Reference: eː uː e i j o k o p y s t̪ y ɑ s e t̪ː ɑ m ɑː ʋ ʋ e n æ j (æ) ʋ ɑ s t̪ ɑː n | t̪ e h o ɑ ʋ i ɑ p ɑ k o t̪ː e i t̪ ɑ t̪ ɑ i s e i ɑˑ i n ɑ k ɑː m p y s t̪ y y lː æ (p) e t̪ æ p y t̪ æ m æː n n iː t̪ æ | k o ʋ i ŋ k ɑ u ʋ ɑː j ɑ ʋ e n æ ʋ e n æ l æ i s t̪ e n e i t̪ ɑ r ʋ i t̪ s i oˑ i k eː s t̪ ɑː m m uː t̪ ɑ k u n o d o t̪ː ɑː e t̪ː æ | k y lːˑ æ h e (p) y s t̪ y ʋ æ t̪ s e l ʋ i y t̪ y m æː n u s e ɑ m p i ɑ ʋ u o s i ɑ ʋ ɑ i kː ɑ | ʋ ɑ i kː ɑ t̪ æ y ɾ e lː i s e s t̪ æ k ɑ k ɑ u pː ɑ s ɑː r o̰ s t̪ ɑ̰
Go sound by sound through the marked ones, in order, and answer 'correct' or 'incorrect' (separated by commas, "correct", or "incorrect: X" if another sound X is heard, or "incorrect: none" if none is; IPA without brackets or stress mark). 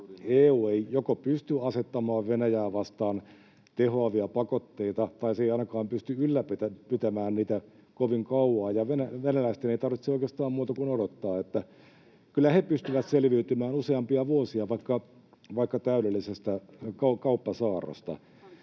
incorrect: æː, correct, correct